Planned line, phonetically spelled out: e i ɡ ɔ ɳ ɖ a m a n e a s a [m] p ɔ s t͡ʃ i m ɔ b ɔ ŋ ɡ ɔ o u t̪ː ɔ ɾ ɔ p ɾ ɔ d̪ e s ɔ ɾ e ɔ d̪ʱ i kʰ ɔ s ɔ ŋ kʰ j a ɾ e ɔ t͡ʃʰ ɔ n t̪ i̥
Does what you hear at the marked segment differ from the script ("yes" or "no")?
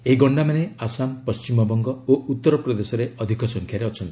no